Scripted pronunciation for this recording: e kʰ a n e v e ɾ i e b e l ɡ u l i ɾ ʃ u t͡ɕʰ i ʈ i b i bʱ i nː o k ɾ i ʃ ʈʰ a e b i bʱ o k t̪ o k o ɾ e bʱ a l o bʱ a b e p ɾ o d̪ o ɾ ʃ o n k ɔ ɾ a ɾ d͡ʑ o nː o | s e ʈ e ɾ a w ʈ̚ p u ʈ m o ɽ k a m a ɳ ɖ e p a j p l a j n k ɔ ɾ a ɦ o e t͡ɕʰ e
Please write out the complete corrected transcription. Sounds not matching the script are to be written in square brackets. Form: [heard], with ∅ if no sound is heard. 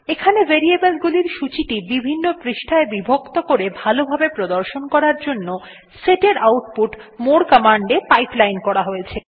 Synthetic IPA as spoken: e kʰ a n e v e ɾ i e b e l ɡ u l i ɾ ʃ u [t͡ɕ] i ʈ i b i bʱ i nː o [p] ɾ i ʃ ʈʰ a e b i bʱ o k t̪ o k o ɾ e bʱ a l o bʱ a b e p ɾ o d̪ o ɾ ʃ o n k ɔ ɾ a ɾ d͡ʑ o nː o | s e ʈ e ɾ a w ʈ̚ p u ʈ m o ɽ k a m a ɳ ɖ e p a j p l a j n k ɔ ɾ a ɦ o e t͡ɕʰ e

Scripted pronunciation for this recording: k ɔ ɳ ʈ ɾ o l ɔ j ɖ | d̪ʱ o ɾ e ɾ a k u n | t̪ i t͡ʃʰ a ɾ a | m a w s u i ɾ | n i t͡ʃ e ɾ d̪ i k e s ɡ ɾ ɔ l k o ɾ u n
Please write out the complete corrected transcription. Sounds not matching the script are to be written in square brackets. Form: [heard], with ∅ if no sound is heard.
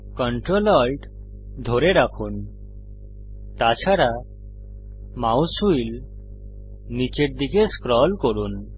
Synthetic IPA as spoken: k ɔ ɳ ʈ ɾ o l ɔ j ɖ | d̪ʱ o ɾ e ɾ a [kʰ] u n | t̪ [a] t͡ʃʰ a ɾ a | m a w s u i [l] | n i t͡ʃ e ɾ d̪ i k e s [k] ɾ ɔ l k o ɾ u n

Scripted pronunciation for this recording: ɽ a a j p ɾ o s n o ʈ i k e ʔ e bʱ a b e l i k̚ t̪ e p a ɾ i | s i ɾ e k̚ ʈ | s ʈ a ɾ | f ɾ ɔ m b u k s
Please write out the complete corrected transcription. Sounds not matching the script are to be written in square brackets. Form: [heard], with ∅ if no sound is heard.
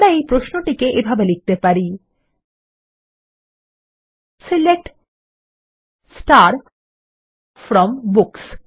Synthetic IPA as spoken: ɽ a [e] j p ɾ o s n o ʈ i k e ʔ e bʱ a b e l i k̚ t̪ e p a ɾ i | s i [l] e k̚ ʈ | s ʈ a ɾ | f ɾ ɔ m b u k s

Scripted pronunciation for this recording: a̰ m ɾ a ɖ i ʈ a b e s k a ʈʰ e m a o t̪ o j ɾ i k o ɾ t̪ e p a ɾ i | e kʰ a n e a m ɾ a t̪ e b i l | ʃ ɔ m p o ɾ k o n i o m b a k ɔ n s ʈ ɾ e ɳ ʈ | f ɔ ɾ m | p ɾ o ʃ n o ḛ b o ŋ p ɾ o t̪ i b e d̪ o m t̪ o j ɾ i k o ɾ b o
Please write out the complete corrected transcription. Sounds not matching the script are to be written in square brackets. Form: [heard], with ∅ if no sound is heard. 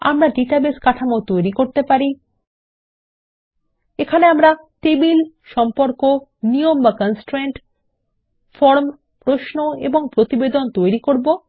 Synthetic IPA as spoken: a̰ m ɾ a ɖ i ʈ a b e s k a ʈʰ [a] m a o t̪ o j ɾ i k o ɾ t̪ e p a ɾ i | e kʰ a n e a m ɾ a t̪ e b i l | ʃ ɔ m p o ɾ k o n i o m b a k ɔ n s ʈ ɾ e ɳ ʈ | f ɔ ɾ m | p ɾ o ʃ n o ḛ b o ŋ p ɾ o t̪ i b e d̪ o [n] t̪ o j ɾ i k o ɾ b o

